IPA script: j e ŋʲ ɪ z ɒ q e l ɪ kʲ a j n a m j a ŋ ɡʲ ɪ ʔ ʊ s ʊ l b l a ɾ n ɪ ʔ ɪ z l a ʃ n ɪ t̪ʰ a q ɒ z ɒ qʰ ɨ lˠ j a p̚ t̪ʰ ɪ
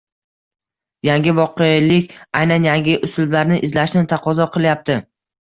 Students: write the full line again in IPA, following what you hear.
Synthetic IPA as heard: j a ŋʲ ɪ v ɒ q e l ɪ kʲ a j n a n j a ŋ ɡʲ ɪ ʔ ʊ s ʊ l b l a ɾ n ɪ ʔ ɪ z l a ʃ n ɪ t̪ʰ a q ɒ z ɒ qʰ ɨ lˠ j a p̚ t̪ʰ ɪ